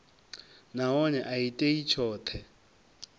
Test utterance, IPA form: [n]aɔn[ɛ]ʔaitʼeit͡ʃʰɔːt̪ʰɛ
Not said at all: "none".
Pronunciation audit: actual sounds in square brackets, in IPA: n, ɛ

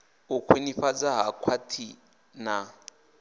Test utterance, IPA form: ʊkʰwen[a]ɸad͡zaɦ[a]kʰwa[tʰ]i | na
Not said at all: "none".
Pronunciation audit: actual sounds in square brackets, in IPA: i, a, tʰ

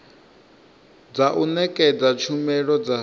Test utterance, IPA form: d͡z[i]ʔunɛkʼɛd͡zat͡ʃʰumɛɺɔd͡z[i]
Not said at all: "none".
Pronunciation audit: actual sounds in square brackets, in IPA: a, a

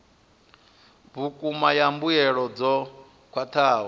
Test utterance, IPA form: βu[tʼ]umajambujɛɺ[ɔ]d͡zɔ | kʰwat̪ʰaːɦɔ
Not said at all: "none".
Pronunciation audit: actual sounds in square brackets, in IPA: kʼ, ɔ

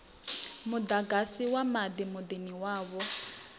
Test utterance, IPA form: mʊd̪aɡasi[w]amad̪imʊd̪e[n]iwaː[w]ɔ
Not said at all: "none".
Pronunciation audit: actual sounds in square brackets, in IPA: w, n, β

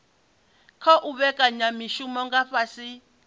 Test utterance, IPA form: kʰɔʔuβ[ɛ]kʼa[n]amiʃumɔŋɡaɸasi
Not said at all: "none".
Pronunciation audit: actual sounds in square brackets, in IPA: ɛ, ɲ

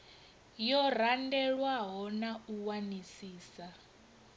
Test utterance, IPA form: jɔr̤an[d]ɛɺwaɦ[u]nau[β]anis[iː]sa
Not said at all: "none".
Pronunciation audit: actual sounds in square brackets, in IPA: d, ɔ, w, iː

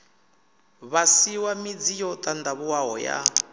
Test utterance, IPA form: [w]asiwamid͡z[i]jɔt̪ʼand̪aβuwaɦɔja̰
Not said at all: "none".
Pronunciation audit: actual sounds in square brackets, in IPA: β, i

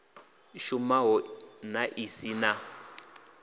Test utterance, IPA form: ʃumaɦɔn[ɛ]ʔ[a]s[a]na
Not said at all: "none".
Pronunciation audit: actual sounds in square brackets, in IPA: a, i, i

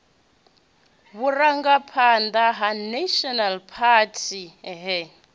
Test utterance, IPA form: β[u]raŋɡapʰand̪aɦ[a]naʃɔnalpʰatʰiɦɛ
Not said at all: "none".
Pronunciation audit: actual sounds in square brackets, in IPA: u, a

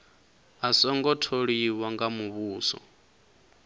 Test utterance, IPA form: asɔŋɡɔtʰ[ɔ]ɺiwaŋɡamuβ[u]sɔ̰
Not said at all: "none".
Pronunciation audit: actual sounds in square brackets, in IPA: o, uː

